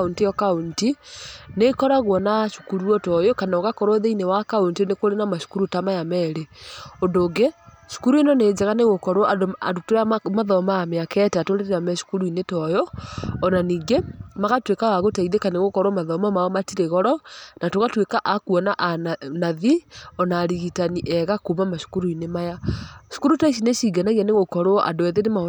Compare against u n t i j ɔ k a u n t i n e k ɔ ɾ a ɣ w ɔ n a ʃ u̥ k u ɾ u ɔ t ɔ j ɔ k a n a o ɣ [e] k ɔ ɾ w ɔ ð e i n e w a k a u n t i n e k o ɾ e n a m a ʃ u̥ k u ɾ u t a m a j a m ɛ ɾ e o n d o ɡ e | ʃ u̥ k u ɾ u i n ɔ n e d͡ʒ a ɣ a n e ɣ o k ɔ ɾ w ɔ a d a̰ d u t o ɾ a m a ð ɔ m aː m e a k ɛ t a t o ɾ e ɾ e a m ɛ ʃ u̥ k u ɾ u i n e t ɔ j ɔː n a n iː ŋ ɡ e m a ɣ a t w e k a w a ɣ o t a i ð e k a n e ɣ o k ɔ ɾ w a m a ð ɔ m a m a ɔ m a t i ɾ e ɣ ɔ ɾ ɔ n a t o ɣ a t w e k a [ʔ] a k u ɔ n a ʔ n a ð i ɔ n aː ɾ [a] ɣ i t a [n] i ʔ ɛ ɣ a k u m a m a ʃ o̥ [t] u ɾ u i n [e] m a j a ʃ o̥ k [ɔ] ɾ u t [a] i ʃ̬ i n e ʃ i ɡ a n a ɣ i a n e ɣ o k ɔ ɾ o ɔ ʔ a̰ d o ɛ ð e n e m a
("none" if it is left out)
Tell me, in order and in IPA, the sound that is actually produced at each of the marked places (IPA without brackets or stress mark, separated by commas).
a, ʔ, i, n, k, e, u, a